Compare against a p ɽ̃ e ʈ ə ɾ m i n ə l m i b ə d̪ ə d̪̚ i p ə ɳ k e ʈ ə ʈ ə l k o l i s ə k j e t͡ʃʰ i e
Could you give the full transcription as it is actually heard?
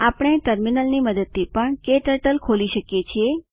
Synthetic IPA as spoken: a p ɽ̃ e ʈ ə ɾ m i n ə l n i m ə d̪ ə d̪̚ i p ə ɳ k e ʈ ə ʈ ə l kʰ o l i ʃ ə k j e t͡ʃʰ i e